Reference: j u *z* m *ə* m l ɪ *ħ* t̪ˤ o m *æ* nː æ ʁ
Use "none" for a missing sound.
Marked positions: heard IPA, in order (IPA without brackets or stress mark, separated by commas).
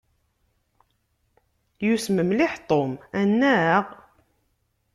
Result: s, ə, ħ, æ